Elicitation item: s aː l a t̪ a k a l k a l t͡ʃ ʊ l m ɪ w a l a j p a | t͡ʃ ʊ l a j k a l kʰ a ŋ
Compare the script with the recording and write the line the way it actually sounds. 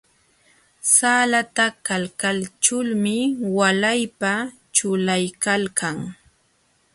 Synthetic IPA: s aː l a t̪ a k a l k a l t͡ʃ ʊ l m ɪ w a l a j p a | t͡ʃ ʊ l a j k a l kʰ a ŋ